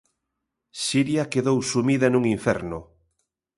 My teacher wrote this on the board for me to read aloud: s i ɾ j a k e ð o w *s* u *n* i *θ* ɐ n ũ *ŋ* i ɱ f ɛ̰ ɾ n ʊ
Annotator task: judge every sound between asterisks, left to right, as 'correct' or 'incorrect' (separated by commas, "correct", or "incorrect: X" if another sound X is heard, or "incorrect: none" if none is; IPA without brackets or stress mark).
correct, incorrect: m, incorrect: ð, correct